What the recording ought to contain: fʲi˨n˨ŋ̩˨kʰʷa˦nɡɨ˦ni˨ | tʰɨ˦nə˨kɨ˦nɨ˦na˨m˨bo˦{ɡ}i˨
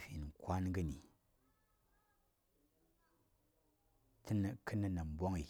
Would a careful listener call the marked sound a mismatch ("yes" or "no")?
yes